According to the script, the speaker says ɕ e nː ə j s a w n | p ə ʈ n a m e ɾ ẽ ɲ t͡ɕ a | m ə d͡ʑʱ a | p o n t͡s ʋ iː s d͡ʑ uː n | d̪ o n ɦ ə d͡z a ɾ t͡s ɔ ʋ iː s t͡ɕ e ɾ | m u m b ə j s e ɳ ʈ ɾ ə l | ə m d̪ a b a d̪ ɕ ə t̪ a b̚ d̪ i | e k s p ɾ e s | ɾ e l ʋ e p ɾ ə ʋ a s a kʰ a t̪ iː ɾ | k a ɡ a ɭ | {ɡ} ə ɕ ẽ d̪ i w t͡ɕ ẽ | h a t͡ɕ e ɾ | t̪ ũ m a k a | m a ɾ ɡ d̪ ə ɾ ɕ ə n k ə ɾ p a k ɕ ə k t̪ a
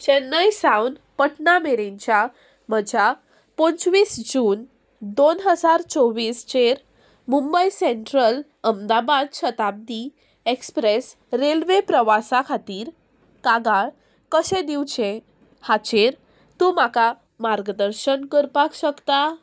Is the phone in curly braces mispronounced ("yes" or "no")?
yes